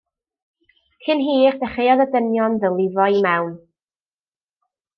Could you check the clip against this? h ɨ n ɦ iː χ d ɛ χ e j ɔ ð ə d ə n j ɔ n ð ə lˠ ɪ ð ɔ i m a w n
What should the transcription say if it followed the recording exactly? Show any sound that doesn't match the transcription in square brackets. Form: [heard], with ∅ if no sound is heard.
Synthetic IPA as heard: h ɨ n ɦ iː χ d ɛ χ e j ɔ ð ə d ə n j ɔ n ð ə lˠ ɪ [v] ɔ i m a w n